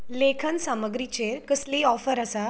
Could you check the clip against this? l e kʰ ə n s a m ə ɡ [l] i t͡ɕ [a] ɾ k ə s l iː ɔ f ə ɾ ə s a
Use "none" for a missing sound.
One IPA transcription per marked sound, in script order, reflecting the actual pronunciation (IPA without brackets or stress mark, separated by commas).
ɾ, e